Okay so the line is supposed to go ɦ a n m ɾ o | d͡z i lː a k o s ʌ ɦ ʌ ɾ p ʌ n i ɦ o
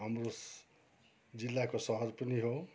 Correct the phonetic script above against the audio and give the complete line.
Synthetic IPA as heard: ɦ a m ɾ o | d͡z i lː a k o s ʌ ɦ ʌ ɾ p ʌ n i ɦ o